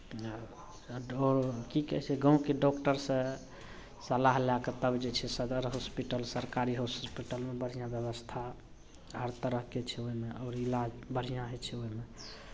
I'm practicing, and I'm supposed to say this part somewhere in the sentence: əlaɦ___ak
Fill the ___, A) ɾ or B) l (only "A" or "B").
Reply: B